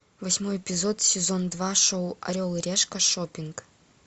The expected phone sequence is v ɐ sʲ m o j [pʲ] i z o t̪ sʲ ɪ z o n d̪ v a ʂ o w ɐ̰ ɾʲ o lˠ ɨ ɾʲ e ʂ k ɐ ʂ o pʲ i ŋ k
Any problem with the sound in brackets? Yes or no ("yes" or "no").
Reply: no